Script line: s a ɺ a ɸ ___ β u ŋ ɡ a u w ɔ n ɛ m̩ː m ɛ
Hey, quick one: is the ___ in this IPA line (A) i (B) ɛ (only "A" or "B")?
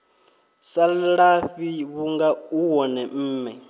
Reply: A